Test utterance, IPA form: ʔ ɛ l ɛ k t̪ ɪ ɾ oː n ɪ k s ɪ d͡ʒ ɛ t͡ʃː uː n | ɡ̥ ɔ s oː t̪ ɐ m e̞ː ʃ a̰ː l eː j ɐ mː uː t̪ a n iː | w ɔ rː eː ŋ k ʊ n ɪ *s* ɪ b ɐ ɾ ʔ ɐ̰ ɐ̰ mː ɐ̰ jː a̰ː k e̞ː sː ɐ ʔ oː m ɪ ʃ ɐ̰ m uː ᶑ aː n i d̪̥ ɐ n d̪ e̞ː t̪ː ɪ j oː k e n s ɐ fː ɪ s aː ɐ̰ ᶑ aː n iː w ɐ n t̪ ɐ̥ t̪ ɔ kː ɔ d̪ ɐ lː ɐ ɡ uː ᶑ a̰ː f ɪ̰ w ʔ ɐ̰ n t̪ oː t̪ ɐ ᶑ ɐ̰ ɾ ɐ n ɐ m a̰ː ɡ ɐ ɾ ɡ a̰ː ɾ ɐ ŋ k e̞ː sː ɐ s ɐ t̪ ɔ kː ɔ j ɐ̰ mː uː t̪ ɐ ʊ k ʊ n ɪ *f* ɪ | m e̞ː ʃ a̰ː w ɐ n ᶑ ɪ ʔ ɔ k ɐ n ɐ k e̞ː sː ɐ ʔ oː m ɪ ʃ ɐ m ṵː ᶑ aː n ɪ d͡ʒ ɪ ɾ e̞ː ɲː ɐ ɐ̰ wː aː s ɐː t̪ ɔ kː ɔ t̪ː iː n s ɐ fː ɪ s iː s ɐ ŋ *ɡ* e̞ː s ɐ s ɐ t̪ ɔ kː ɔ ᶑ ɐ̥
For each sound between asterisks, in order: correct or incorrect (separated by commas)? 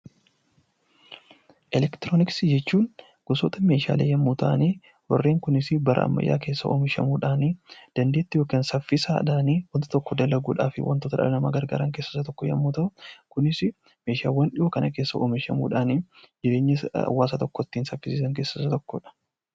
correct, incorrect, incorrect